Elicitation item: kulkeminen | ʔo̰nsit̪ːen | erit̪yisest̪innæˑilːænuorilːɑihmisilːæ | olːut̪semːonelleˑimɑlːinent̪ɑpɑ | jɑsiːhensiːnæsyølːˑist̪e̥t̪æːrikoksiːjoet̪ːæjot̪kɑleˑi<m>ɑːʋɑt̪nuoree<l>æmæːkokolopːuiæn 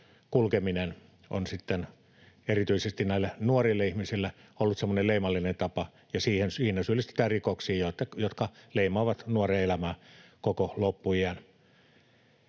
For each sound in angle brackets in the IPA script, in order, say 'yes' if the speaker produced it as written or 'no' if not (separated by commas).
yes, yes